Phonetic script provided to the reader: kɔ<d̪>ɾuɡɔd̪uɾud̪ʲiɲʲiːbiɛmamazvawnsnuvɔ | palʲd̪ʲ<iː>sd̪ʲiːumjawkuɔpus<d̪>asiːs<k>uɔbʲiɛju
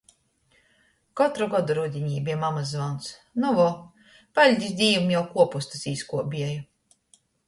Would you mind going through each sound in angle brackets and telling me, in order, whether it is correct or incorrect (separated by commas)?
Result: incorrect, incorrect, incorrect, correct